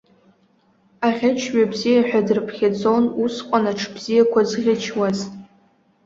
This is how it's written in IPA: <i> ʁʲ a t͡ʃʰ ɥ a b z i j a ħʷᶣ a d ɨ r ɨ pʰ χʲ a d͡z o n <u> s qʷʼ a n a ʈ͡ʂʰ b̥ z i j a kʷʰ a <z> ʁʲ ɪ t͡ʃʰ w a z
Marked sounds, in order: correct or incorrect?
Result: incorrect: a, correct, correct

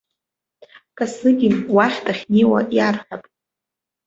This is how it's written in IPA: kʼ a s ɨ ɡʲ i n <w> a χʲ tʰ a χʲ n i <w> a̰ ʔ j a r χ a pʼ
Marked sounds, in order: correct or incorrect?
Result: correct, correct

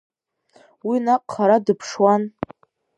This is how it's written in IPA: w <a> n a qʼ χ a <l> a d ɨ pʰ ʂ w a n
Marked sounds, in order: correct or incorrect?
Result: incorrect: i, incorrect: ɾ

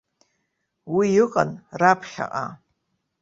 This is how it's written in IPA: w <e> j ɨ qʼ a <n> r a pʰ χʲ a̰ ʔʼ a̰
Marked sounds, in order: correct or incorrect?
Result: incorrect: i, correct

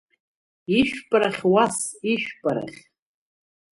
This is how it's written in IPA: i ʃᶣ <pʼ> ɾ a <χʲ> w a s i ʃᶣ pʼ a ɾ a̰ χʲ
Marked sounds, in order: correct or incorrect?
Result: correct, correct

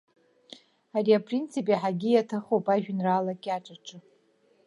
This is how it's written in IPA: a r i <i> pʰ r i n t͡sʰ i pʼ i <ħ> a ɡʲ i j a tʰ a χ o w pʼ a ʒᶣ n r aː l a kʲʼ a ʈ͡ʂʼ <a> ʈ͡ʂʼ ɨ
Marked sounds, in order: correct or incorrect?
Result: incorrect: a, correct, correct

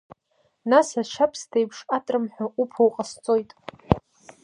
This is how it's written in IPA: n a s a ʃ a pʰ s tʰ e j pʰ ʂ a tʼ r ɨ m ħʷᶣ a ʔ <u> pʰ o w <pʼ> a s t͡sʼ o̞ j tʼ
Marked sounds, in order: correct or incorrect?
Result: correct, incorrect: qʼ

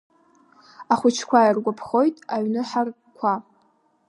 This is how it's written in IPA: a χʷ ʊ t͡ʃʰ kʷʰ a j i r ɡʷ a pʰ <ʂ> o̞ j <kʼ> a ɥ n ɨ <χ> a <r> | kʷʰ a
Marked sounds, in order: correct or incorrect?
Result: incorrect: χ, incorrect: tʼ, incorrect: ħ, correct

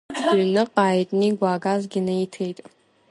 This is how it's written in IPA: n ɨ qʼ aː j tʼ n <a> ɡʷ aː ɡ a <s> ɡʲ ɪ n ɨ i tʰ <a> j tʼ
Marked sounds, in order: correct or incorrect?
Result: incorrect: i, incorrect: z, incorrect: e

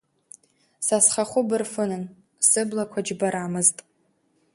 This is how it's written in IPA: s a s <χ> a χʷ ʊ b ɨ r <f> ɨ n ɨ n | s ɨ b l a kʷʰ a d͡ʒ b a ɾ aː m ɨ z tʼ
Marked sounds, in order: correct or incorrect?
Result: correct, correct

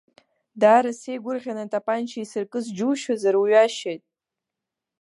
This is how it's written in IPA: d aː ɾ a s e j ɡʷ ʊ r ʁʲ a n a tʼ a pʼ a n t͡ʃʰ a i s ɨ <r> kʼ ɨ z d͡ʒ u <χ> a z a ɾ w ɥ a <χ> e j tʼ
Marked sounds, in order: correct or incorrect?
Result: correct, incorrect: ʃ, incorrect: ʃ

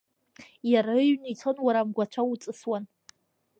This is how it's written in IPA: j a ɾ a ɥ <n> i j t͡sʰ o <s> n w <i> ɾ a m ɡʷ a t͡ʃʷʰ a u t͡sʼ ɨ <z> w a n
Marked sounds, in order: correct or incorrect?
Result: correct, incorrect: none, incorrect: a, incorrect: s

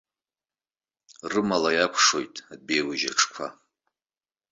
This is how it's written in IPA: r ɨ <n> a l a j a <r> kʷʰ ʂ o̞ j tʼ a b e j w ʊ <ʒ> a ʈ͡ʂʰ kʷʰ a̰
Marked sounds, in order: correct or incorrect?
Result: incorrect: m, incorrect: none, correct

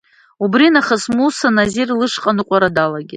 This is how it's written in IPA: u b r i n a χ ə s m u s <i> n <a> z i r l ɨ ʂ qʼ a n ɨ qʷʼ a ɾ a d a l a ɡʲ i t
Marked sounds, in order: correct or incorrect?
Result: incorrect: a, correct

